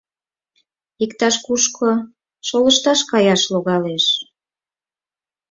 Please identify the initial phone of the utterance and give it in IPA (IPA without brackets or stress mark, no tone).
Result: i